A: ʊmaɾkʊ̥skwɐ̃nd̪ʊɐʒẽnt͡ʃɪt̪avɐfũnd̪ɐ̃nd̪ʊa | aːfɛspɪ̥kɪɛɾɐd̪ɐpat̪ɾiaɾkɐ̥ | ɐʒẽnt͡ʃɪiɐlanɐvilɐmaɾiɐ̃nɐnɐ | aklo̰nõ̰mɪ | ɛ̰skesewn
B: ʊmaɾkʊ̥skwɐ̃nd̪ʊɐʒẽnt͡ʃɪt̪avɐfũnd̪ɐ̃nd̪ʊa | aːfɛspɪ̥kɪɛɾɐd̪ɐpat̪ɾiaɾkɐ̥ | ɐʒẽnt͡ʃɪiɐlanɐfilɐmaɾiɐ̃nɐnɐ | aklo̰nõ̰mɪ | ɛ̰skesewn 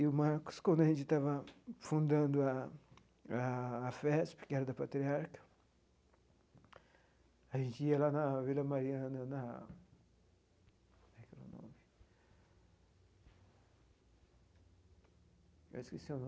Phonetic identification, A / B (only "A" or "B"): A